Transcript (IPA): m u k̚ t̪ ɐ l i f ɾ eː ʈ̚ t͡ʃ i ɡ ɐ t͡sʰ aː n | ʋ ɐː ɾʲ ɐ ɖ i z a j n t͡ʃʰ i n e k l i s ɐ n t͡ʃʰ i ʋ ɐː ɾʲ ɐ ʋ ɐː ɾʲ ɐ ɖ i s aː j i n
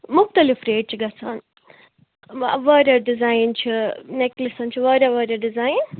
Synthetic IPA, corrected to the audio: m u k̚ t̪ ɐ l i f ɾ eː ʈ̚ t͡ʃ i ɡ ɐ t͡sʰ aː n | ʋ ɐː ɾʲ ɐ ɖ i z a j n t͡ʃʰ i n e k l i s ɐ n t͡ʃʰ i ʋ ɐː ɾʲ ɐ ʋ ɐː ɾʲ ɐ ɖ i z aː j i n